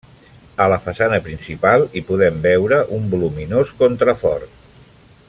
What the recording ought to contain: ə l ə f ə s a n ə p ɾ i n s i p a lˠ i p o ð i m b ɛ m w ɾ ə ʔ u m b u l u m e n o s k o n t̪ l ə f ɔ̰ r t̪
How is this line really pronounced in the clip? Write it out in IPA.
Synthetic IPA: ə l ə f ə s a n ə p ɾ i n s i p a lˠ i p u ð ɛ m b ɛ w ɾ ə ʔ u m b u l u m i n o s k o n t̪ ɾ ə f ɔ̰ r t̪